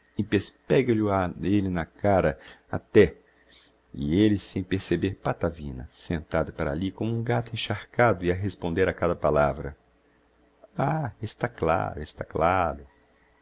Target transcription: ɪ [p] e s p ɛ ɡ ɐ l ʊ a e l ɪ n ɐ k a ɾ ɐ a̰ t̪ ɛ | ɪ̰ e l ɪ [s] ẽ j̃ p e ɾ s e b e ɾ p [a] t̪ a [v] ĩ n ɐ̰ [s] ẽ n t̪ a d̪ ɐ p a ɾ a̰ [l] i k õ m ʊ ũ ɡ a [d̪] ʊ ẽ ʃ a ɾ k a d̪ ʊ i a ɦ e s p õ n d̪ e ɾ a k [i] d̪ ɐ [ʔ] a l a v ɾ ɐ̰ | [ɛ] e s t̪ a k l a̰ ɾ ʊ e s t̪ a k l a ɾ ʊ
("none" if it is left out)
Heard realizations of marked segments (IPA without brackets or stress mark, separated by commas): p, s, a, v, s, l, t̪, a, p, a